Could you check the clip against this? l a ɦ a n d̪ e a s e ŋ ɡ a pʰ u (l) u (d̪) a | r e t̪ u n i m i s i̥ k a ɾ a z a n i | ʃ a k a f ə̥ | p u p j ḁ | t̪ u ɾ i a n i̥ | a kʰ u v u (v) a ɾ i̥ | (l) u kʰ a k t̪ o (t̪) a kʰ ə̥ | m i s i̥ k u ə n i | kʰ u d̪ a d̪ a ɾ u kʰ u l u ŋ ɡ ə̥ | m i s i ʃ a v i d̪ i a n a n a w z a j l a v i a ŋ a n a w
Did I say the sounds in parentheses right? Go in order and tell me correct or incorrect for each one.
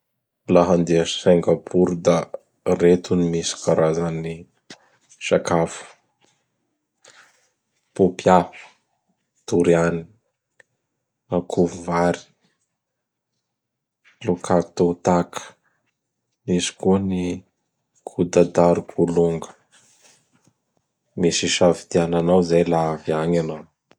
incorrect: ɾ, correct, correct, correct, correct

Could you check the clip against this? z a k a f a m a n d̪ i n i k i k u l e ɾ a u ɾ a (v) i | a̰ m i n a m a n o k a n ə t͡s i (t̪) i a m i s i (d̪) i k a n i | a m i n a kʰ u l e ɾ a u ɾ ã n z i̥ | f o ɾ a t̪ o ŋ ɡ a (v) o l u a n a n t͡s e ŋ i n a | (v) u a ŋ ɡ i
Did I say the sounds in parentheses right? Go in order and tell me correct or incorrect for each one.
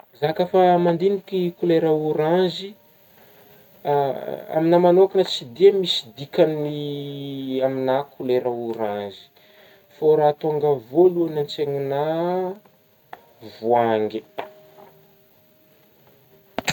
incorrect: z, incorrect: d̪, correct, correct, correct

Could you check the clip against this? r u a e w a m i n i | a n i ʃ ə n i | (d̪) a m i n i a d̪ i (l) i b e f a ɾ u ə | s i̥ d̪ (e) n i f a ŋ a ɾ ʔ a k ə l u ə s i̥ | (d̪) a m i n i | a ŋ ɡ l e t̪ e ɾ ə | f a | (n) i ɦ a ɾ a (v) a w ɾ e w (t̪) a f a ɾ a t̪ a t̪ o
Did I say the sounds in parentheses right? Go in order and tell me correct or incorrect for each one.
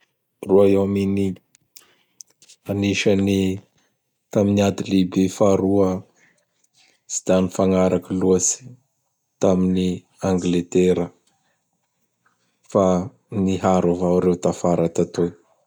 incorrect: t̪, correct, incorrect: a, incorrect: t̪, correct, correct, correct

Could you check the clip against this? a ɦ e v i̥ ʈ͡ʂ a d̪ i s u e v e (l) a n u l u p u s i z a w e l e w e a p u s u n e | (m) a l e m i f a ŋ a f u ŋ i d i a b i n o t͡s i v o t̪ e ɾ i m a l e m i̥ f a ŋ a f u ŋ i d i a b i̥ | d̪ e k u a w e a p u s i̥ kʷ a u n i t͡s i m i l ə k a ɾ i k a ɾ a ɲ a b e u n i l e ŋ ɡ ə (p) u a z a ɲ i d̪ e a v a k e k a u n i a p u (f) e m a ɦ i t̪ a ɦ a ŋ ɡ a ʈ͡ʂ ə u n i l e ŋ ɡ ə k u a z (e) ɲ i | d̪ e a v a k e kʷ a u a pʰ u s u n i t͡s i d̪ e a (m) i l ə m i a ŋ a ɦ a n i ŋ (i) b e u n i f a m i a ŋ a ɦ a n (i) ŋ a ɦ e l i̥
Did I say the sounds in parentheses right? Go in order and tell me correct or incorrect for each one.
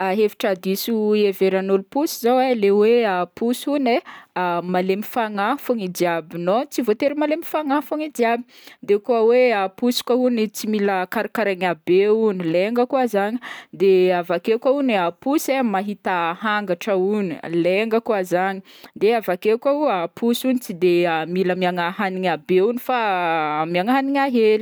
incorrect: ɾ, correct, incorrect: k, incorrect: s, incorrect: a, correct, incorrect: a, correct

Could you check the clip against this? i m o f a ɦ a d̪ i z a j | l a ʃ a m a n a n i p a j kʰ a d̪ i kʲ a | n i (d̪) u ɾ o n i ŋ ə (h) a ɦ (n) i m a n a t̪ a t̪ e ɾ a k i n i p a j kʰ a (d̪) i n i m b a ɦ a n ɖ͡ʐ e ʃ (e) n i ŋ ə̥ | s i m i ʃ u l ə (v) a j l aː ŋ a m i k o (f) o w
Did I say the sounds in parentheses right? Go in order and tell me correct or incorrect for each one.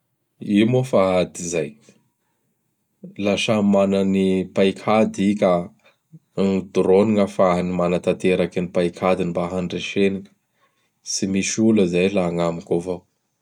correct, incorrect: f, correct, correct, correct, incorrect: z, incorrect: v

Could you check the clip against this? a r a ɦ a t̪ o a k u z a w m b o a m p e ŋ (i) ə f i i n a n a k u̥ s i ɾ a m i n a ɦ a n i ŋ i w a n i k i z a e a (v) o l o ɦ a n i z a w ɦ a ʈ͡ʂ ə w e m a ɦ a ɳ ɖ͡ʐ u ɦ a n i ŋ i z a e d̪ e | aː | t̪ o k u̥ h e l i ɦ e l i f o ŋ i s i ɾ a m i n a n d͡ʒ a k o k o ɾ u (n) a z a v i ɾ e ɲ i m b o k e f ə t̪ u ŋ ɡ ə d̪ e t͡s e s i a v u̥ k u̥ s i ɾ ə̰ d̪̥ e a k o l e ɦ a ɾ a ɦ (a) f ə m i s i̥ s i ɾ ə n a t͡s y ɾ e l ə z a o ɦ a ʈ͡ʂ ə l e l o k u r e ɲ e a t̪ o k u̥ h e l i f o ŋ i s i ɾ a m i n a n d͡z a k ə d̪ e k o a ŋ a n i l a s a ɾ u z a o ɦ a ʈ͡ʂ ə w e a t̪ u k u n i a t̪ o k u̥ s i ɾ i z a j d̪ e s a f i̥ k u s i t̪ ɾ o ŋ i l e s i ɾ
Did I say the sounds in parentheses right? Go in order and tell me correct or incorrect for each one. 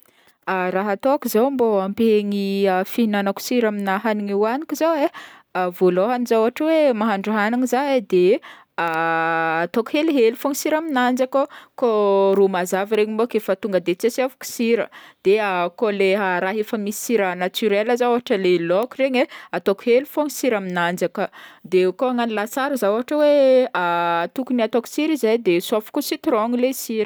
correct, correct, incorrect: m, incorrect: e

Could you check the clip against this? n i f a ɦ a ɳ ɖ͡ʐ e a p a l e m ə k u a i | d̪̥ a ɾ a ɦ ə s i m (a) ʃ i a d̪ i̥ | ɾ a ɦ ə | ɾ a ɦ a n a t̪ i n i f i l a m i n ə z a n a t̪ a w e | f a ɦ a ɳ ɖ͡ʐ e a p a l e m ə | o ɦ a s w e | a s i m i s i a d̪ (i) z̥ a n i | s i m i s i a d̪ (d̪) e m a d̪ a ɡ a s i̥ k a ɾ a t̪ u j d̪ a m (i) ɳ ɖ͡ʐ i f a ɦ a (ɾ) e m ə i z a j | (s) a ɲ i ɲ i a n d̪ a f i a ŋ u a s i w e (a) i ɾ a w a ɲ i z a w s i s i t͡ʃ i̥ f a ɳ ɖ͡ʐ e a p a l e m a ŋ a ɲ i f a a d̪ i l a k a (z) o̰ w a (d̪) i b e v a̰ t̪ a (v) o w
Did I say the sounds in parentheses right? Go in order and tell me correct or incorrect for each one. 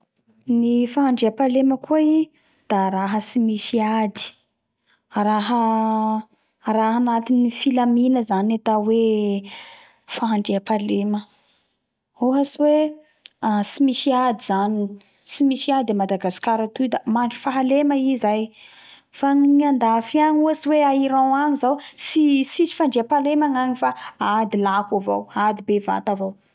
incorrect: i, correct, correct, incorrect: a, incorrect: l, incorrect: f, correct, incorrect: v, correct, correct

